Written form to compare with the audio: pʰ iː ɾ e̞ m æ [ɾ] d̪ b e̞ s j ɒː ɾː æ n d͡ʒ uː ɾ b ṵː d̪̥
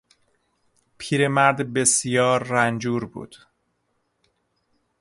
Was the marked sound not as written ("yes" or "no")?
no